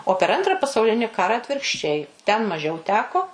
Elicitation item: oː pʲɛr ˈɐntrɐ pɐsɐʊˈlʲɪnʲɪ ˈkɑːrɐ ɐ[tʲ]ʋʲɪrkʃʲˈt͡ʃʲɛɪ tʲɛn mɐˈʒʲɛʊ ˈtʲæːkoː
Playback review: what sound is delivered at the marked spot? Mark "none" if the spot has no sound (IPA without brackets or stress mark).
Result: tʲ